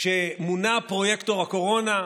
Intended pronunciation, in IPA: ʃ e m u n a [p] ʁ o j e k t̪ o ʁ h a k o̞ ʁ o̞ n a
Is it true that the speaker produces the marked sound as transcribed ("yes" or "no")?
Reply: yes